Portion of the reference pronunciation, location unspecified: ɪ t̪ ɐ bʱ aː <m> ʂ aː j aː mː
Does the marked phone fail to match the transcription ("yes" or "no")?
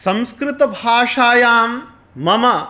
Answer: yes